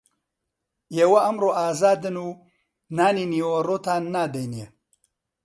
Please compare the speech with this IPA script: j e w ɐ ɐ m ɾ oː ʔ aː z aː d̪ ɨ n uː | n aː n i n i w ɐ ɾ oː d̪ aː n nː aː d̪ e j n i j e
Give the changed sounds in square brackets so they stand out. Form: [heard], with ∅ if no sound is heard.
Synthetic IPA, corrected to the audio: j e w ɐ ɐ m ɾ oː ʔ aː z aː d̪ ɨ n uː | n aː n i n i w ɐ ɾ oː [t̪] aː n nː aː d̪ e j n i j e